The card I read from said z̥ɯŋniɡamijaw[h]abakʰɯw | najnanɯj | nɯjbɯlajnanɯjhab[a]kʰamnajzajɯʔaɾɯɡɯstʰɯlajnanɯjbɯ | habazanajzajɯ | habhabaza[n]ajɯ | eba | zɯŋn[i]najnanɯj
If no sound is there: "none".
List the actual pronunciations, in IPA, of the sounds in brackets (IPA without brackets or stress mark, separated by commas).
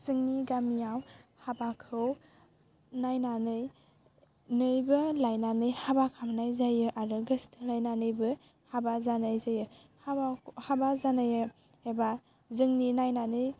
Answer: h, a, n, i